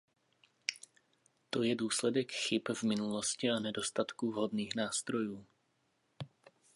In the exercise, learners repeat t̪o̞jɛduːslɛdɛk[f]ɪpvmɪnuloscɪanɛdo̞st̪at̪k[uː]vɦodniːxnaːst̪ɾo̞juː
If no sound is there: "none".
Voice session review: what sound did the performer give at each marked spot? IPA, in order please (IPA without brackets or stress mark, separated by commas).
x, u